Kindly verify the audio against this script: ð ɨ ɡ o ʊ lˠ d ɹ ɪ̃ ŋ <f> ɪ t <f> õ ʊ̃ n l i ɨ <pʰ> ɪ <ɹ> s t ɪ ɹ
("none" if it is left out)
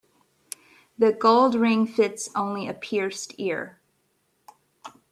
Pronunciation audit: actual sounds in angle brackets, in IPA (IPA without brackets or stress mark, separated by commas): f, s, pʰ, ɹ